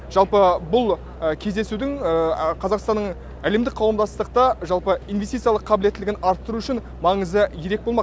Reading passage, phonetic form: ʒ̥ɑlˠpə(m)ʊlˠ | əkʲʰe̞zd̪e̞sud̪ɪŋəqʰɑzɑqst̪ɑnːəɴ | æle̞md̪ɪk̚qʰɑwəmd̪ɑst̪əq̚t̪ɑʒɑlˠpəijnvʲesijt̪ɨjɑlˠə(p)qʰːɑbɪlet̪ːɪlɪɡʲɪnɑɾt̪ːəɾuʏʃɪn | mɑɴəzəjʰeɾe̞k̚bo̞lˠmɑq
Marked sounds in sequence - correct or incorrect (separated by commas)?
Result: incorrect, incorrect